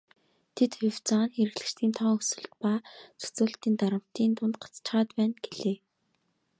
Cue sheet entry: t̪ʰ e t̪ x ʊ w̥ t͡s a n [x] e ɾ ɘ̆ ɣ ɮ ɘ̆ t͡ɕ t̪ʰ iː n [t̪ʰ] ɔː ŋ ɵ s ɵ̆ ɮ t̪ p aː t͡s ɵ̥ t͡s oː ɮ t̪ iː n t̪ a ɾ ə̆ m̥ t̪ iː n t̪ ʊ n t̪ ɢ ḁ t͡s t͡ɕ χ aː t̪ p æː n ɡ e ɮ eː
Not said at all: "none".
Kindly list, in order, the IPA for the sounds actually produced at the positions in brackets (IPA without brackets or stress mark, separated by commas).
x, t̪ʰ